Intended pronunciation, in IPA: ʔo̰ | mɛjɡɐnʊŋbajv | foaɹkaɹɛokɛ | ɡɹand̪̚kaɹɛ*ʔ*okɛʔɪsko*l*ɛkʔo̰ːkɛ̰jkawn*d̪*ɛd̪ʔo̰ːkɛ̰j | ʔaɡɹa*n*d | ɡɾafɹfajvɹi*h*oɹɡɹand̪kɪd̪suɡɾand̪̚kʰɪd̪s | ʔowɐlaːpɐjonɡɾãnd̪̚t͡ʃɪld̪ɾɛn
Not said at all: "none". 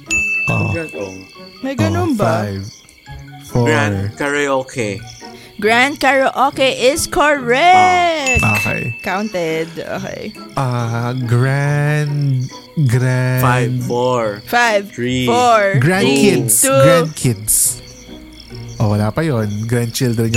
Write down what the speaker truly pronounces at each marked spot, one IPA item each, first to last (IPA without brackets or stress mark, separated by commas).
ʔ, ɹ, t̪, n, f